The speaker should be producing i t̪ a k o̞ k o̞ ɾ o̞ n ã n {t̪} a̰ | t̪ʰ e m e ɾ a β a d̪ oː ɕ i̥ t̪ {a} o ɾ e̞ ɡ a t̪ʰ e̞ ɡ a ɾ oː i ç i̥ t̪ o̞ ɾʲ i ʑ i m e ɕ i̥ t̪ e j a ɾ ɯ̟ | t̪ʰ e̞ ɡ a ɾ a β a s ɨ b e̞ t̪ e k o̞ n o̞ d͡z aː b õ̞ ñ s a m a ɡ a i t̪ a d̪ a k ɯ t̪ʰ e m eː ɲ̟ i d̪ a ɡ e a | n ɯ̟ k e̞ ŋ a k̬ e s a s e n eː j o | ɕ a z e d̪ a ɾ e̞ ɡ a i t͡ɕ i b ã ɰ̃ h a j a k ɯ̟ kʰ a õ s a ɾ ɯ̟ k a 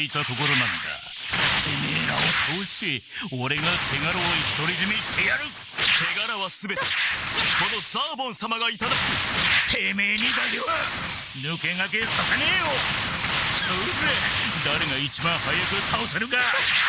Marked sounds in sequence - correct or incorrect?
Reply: incorrect, incorrect

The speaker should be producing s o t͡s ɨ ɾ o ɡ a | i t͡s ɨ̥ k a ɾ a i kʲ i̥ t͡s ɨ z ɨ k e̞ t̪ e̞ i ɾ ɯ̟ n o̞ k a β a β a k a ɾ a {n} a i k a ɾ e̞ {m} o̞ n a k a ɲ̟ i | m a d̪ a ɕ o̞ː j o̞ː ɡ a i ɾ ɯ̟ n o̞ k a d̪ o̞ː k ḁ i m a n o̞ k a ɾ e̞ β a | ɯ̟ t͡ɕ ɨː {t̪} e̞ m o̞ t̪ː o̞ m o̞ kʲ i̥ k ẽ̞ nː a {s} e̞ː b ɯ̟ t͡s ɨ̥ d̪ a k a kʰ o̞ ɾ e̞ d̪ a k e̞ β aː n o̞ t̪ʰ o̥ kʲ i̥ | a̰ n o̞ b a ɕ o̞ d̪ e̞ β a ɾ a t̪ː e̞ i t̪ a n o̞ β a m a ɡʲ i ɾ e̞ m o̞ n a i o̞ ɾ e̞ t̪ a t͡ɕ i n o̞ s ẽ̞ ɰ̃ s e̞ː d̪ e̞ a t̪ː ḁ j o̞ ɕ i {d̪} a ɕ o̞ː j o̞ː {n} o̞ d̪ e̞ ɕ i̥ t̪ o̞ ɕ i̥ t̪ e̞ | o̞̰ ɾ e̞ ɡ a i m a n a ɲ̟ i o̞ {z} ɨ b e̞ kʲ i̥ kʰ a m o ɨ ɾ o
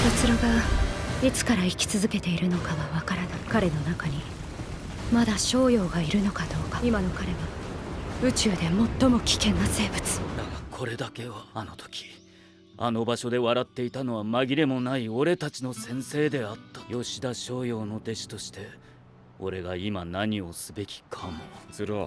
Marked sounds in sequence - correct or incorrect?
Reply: correct, incorrect, incorrect, correct, correct, correct, incorrect

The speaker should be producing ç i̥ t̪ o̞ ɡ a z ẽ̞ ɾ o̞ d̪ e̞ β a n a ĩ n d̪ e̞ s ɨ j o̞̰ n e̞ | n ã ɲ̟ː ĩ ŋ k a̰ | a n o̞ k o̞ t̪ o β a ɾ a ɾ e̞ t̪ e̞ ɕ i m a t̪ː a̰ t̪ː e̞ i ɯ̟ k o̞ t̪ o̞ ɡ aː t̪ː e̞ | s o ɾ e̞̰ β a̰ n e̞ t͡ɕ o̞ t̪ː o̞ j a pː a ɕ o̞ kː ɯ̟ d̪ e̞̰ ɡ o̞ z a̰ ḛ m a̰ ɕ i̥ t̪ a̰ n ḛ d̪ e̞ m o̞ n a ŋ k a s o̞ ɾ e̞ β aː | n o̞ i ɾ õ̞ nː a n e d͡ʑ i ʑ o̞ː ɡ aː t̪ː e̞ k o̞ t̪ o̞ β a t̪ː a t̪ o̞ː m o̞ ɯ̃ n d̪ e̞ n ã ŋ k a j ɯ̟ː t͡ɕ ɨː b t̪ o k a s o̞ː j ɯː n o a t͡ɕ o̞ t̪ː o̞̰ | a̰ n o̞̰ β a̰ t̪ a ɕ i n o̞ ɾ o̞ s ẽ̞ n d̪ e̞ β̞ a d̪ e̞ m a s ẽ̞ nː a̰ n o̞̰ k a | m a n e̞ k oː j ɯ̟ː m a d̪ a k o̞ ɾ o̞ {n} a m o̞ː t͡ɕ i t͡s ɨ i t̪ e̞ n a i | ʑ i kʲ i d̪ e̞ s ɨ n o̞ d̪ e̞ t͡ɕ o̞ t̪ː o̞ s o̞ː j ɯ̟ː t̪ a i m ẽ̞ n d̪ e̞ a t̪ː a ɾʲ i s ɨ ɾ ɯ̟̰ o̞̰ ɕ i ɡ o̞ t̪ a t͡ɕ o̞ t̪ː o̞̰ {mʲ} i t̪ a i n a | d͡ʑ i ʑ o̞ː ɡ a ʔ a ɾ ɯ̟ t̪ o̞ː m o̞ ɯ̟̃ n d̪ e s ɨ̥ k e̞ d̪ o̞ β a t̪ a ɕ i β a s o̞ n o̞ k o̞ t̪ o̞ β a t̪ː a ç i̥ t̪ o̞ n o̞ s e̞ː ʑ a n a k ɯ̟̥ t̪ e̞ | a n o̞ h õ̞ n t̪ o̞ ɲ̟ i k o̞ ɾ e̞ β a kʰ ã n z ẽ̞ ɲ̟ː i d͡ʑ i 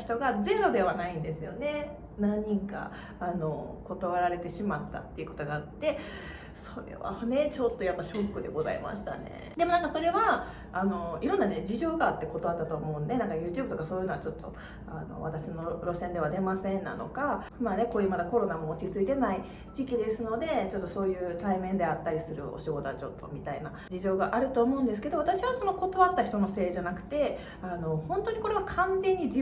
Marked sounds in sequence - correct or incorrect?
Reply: correct, correct

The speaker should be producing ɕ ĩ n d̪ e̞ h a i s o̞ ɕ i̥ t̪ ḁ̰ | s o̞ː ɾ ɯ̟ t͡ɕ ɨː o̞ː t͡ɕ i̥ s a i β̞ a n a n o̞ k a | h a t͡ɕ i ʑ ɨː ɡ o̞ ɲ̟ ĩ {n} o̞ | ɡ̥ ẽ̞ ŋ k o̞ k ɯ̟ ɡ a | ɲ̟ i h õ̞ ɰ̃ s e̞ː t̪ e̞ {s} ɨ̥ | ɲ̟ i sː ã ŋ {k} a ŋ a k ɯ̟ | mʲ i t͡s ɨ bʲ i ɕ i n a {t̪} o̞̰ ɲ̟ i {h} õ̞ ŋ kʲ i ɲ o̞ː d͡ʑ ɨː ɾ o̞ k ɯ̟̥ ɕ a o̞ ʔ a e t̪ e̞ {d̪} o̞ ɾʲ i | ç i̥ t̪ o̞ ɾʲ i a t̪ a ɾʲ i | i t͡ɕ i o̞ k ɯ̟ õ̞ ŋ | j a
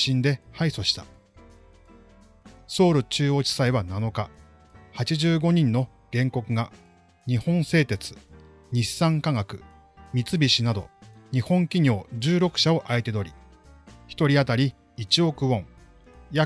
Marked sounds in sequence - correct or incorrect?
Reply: incorrect, incorrect, correct, incorrect, correct, correct

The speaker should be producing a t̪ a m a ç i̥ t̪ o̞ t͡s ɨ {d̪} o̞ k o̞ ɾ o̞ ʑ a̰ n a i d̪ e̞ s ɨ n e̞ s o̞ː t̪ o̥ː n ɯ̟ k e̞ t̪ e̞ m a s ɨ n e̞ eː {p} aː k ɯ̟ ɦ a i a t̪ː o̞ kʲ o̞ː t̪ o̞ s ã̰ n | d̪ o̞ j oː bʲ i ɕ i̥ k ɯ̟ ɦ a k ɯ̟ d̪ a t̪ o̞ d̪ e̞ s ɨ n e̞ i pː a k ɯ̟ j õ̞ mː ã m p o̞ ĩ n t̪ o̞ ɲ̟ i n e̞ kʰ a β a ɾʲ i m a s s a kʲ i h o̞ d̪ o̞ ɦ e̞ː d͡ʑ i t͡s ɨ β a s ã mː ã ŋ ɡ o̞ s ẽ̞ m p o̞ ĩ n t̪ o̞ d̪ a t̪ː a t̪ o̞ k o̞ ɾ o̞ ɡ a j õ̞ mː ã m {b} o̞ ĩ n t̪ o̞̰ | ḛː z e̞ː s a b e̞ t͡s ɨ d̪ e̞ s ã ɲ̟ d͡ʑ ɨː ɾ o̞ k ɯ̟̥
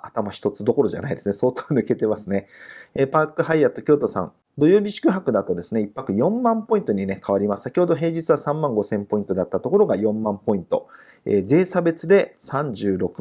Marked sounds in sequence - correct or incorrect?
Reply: correct, correct, incorrect

